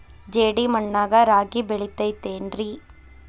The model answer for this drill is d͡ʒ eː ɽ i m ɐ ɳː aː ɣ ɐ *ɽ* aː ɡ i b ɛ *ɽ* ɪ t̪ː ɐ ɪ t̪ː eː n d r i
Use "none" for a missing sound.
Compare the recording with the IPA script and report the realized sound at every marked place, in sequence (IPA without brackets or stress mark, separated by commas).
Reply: ɾ, ɭ